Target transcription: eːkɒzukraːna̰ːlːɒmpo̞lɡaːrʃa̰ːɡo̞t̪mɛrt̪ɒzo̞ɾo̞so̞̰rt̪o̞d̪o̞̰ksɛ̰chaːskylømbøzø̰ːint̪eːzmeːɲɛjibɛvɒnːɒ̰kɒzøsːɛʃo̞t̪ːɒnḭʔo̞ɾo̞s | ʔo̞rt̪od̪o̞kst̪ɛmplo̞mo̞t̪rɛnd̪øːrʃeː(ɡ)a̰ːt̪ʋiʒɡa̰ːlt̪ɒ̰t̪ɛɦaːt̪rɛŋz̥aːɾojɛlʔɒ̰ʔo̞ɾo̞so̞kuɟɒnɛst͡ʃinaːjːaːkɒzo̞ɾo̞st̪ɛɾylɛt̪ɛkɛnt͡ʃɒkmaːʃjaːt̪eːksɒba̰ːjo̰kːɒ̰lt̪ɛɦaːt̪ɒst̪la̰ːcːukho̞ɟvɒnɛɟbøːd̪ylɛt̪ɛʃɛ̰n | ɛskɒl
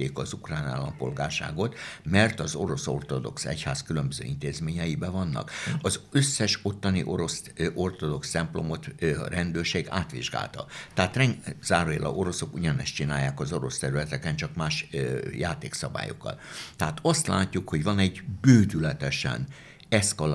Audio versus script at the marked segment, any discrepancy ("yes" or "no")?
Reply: no